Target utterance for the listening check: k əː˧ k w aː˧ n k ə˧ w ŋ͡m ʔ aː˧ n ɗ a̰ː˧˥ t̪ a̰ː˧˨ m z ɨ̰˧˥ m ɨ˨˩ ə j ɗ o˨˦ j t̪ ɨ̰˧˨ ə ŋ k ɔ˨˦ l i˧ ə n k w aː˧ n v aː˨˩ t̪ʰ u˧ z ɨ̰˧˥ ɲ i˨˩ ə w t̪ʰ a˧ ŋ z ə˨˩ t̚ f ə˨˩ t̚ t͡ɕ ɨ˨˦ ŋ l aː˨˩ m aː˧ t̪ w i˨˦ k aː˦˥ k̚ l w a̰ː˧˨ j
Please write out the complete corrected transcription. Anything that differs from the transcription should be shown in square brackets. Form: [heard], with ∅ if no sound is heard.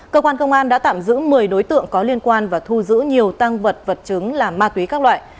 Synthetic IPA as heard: k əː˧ k w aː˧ n k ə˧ w ŋ͡m ʔ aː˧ n ɗ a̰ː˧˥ t̪ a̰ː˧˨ m z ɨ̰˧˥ m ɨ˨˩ ə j ɗ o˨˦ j t̪ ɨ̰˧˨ ə ŋ k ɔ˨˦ l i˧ ə n k w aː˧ n v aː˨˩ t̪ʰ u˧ z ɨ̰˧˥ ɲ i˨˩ ə w [t̪] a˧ ŋ [v] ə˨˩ t̚ [v] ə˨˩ t̚ t͡ɕ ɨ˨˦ ŋ l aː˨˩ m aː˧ t̪ w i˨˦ k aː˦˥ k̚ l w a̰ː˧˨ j